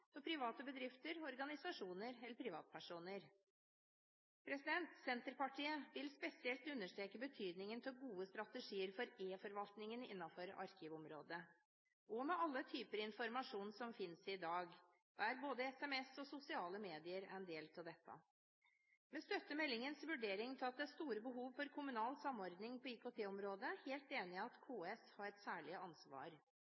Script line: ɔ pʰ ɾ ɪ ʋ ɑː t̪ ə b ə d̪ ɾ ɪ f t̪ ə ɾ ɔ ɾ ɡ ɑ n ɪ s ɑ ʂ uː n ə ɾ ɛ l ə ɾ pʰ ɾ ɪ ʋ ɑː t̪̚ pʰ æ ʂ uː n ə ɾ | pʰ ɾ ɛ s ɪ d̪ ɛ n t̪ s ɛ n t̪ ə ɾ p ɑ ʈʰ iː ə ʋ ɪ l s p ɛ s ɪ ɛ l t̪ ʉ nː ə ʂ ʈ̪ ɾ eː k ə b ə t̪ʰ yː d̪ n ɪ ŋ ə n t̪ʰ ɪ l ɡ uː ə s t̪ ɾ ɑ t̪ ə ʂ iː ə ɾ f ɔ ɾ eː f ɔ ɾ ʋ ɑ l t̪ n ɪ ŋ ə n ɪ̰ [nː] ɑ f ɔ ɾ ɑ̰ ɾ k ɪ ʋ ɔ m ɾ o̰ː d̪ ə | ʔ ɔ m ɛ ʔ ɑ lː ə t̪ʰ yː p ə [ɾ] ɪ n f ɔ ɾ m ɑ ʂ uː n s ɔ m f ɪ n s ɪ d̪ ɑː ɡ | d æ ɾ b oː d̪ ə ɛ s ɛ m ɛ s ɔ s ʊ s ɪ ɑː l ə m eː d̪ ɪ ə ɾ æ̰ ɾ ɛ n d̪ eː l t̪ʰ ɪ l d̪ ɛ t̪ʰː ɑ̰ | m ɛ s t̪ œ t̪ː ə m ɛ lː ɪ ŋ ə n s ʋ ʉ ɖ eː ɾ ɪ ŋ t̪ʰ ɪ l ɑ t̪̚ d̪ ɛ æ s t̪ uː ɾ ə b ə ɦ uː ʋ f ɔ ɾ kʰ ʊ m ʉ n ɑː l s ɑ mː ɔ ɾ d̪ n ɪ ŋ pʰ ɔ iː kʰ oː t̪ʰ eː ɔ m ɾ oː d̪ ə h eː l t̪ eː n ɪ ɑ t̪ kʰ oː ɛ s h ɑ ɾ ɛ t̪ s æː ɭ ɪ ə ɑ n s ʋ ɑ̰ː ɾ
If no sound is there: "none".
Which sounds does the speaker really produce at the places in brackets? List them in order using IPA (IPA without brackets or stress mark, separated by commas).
nː, ɾ